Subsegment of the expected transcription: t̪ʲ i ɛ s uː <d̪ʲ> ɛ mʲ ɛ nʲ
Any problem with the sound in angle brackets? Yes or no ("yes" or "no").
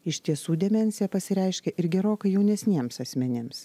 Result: no